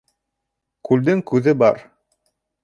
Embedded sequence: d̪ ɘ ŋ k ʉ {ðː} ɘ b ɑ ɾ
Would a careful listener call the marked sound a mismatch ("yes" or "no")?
yes